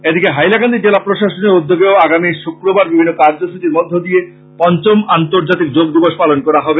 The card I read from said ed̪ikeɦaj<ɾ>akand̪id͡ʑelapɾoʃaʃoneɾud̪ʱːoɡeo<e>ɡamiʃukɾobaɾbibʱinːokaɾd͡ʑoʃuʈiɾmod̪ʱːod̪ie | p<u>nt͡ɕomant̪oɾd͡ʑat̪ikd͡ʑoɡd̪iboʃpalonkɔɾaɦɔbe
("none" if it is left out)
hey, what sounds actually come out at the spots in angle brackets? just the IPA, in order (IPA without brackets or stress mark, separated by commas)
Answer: l, a, ɔ